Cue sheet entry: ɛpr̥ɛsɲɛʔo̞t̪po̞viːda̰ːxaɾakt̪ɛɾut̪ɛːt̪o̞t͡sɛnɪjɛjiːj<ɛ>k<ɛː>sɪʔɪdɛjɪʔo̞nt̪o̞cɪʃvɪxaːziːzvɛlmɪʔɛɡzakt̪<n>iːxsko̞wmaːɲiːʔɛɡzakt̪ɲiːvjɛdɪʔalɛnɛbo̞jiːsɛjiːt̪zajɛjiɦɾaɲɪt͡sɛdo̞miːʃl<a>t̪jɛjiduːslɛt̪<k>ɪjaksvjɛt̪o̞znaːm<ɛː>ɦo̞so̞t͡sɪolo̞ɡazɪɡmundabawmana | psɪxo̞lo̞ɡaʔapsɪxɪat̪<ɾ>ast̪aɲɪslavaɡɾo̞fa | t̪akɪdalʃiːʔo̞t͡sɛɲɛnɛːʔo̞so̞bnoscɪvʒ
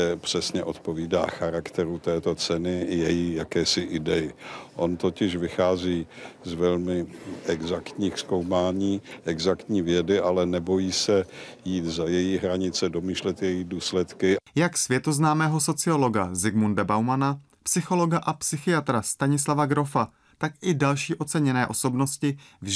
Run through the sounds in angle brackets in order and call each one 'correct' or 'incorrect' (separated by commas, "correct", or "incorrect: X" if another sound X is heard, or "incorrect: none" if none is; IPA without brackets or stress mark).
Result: incorrect: a, correct, incorrect: ɲ, incorrect: ɛ, correct, correct, correct